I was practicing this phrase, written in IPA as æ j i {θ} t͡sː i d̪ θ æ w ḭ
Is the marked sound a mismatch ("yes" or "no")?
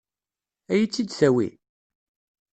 yes